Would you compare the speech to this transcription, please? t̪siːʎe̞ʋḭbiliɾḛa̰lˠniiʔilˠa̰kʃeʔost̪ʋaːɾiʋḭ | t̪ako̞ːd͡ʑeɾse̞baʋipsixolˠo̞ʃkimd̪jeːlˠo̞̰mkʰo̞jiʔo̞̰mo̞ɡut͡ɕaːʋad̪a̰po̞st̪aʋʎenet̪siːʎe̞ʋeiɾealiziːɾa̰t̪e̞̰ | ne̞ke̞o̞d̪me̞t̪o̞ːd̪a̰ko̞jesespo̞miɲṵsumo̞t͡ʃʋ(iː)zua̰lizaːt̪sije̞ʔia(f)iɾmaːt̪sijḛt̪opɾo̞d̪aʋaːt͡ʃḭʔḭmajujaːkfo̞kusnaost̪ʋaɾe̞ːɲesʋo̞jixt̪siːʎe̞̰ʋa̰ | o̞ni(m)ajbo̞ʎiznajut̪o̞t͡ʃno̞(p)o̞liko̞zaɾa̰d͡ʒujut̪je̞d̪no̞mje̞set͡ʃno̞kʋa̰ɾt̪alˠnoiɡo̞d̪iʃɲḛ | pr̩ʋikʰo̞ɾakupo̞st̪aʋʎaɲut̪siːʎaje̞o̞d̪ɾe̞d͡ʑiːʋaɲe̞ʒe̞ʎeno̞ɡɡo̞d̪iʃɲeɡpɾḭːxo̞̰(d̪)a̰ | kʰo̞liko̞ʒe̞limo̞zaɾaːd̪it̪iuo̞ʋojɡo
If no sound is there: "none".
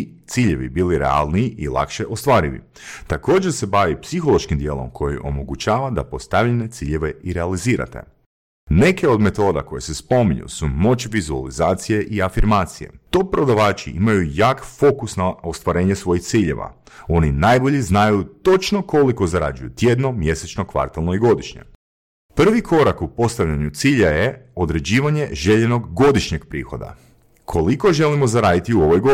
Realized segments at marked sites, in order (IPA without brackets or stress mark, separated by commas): i, f, n, k, d̪